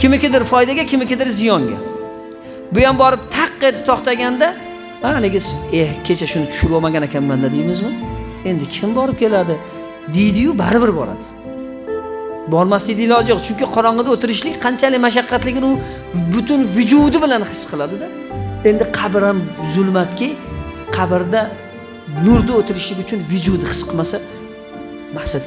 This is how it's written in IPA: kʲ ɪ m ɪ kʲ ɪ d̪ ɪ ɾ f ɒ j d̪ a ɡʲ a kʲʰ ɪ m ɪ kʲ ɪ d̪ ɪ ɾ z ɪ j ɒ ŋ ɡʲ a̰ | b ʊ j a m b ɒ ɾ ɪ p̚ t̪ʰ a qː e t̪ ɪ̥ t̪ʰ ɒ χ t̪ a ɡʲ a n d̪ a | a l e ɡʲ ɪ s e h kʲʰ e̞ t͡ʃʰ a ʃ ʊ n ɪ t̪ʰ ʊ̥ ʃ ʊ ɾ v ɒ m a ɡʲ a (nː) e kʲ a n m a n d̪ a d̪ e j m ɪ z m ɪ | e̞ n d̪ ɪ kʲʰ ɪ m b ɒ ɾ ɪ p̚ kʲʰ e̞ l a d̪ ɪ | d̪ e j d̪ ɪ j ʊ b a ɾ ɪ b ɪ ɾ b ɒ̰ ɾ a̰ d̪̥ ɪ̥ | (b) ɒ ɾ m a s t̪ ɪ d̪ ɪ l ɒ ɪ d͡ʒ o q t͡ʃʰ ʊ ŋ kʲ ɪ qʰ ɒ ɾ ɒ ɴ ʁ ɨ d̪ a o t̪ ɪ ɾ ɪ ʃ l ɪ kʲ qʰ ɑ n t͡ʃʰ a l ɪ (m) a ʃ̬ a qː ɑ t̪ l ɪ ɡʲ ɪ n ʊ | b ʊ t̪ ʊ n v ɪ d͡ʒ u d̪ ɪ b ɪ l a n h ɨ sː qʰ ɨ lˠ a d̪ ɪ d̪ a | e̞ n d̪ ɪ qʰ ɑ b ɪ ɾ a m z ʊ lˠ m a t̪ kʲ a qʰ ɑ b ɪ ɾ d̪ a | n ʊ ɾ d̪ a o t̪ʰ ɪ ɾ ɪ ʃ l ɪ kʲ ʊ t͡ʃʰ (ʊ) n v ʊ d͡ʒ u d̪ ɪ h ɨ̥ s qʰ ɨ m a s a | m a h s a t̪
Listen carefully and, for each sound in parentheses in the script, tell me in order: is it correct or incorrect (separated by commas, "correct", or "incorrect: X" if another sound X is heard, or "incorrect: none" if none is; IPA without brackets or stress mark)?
incorrect: n, correct, correct, correct